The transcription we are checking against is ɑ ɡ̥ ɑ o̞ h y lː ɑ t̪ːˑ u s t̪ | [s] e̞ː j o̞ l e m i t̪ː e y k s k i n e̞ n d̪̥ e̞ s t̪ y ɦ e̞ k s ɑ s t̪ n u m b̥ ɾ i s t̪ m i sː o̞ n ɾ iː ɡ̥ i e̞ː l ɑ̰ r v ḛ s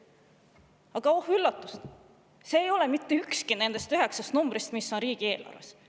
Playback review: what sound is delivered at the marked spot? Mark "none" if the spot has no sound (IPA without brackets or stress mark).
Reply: s